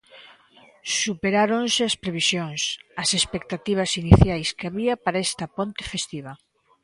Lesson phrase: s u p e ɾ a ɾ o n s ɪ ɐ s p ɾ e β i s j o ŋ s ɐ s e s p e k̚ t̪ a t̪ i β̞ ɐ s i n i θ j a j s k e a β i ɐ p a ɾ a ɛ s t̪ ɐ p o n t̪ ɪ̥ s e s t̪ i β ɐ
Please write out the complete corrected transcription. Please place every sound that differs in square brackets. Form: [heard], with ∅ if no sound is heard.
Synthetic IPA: s u p e ɾ a ɾ o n s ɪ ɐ s p ɾ e β i s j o ŋ s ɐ s e s p e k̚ t̪ a t̪ i β̞ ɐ s i n i θ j a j s k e a β i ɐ p a ɾ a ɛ s t̪ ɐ p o n t̪ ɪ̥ [f] e s t̪ i β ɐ